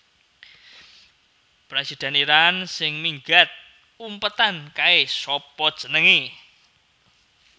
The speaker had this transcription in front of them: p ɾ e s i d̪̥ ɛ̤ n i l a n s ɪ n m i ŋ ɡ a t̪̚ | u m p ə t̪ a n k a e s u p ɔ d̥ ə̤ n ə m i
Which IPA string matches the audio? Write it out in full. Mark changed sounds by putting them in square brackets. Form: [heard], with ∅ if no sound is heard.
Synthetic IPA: p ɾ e s i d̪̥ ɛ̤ n i [ɾ] a n s ɪ [ŋ] m i ŋ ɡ a t̪̚ | u m p ə t̪ a n k a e s [ɔ] p ɔ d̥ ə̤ n ə [ŋ] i

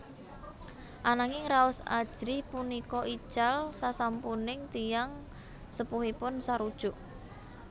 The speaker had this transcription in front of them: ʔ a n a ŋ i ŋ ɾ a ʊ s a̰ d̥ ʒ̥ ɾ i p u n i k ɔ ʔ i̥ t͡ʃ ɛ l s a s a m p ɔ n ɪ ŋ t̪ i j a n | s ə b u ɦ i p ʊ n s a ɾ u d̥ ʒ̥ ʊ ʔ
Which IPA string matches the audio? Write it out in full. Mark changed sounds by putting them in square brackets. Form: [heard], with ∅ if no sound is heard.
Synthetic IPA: ʔ a n a ŋ [ɪ] ŋ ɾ a ʊ s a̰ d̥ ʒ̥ ɾ i p u n i k ɔ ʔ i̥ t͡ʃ [a] l s a s a m p [u] n ɪ ŋ t̪ i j a [ŋ] | s ə [p] u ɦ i p ʊ n s a ɾ u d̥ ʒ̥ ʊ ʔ

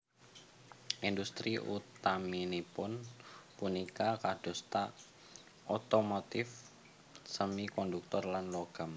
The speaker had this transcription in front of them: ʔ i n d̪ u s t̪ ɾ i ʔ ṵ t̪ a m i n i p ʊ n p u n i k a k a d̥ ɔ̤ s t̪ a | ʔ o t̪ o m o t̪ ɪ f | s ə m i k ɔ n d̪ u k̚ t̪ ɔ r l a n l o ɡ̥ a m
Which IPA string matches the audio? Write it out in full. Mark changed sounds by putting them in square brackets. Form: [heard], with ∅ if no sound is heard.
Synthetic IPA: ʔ i n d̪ u s t̪ ɾ i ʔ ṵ t̪ a m i n i p ʊ n p u n i k a k a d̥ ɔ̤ s t̪ a | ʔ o t̪ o m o t̪ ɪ f | s ə m i k ɔ n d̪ u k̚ t̪ ɔ r l a n l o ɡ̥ a m

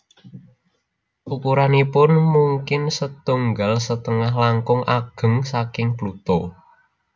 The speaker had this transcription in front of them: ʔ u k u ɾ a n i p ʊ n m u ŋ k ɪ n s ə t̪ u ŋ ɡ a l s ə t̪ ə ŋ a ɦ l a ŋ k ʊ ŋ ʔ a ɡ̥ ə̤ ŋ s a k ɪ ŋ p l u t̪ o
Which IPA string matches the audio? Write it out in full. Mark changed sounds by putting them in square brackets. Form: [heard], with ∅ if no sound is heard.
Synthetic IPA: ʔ u k u ɾ a n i p ʊ n m u ŋ k ɪ n s ə t̪ u ŋ ɡ a l s ə t̪ ə ŋ a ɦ l a ŋ k ʊ ŋ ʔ a ɡ̥ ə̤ ŋ s a k ɪ ŋ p l u t̪ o

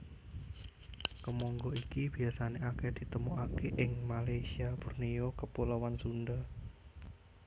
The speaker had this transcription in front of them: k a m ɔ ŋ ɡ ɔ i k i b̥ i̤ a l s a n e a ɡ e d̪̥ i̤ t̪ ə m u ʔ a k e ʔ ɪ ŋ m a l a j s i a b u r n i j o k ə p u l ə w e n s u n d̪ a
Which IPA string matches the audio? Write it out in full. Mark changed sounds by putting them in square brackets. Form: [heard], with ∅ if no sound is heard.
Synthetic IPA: k [ə] m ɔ ŋ ɡ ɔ i k i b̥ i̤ a [∅] s a n e a [k] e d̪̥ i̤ t̪ ə m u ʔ a k e ʔ ɪ ŋ m a l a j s i a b u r n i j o k ə p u l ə w [a] n s u n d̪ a

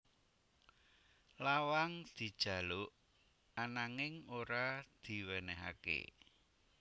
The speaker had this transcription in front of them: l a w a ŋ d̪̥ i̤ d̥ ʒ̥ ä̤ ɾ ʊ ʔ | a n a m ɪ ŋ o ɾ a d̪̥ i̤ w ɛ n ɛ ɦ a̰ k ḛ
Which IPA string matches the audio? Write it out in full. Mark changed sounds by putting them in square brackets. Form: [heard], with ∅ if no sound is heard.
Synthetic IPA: l a w a ŋ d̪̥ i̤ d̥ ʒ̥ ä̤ [l] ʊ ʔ | a n a [ŋ] ɪ ŋ o ɾ a d̪̥ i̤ w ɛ n ɛ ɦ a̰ k ḛ

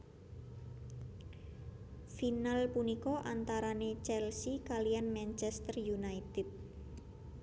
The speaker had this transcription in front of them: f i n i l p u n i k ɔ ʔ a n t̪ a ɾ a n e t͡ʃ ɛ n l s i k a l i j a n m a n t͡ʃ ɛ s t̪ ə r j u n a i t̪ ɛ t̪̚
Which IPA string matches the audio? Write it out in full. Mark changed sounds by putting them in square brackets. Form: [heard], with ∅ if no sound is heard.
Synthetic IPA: f i n [a] l p u n i k ɔ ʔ a n t̪ a ɾ a n e t͡ʃ ɛ [∅] l s i k a l i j a n m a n t͡ʃ ɛ s t̪ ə r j u n a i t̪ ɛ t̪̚

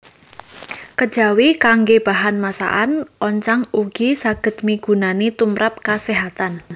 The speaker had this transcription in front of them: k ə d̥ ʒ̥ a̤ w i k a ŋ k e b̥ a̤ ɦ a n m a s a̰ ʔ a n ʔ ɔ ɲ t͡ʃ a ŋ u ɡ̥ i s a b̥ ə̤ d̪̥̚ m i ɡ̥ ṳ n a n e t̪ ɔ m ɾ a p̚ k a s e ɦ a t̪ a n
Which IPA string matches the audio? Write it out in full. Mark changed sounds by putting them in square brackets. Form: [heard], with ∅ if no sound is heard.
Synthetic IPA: k ə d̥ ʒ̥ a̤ w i k a ŋ [ɡ] e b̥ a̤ ɦ a n m a s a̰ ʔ a n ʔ ɔ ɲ t͡ʃ a ŋ u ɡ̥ i s a [ɡ̥] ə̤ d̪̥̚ m i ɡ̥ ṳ n a n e t̪ [u] m ɾ a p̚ k a s e ɦ a t̪ a n

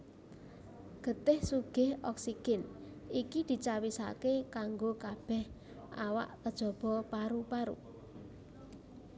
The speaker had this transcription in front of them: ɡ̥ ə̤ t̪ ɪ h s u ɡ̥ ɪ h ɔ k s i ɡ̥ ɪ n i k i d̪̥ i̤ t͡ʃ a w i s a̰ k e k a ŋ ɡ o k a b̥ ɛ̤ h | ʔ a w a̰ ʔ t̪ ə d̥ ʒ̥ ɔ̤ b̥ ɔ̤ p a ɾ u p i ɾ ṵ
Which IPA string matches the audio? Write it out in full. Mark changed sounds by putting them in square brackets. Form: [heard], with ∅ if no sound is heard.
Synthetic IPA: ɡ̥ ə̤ t̪ ɪ h s u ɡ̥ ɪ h ɔ k s i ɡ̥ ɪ n i k i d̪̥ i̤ t͡ʃ a w i s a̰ k e k a ŋ ɡ o k a b̥ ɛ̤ h | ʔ a w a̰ ʔ t̪ ə d̥ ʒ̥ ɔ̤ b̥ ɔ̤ p a ɾ u p [a] ɾ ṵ

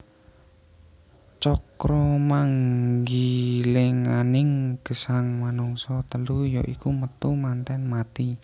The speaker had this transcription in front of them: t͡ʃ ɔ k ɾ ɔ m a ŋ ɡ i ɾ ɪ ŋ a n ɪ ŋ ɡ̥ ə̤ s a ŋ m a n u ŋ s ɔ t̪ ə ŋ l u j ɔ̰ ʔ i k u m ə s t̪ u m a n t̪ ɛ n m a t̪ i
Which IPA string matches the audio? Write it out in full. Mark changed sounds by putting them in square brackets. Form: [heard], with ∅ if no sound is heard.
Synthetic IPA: t͡ʃ ɔ k ɾ ɔ m a ŋ ɡ i [l] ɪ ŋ a n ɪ ŋ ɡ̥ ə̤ s a ŋ m a n u ŋ s ɔ t̪ ə [∅] l u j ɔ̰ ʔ i k u m ə [∅] t̪ u m a n t̪ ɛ n m a t̪ i

